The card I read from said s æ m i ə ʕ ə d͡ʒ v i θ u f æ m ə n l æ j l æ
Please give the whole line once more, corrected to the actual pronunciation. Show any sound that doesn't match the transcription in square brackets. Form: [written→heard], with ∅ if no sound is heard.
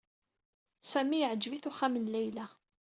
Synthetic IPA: s æ m i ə ʕ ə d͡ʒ v i θ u [f→χ] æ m ə n l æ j l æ